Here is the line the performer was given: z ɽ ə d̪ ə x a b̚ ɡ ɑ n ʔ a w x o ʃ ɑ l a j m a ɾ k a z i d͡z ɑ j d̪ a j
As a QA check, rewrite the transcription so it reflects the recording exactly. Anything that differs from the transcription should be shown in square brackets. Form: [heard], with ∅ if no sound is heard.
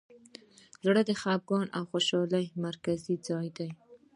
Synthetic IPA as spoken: z ɽ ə d̪ ə x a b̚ ɡ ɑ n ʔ a w x o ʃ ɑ l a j m a ɾ k a z i d͡z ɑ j d̪ a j